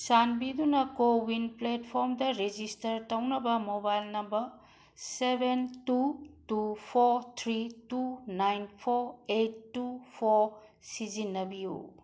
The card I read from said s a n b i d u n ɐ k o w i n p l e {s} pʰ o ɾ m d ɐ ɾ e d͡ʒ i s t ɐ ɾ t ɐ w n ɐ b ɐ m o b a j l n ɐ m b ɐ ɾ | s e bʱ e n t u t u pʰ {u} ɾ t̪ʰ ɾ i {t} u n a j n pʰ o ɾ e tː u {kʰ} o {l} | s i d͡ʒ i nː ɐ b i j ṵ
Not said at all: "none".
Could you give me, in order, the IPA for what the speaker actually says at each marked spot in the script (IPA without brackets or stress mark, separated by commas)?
t, o, t, pʰ, ɾ